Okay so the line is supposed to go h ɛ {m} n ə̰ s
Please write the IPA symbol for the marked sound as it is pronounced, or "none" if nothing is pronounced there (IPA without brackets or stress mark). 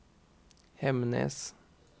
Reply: m